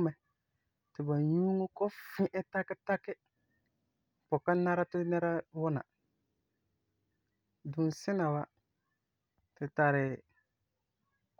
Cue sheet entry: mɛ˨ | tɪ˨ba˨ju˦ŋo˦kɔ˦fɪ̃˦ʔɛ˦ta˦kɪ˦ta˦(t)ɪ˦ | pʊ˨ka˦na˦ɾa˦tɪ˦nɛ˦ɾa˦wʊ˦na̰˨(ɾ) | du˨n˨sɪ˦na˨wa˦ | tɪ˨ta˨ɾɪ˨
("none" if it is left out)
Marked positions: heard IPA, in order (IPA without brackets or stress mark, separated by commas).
k, none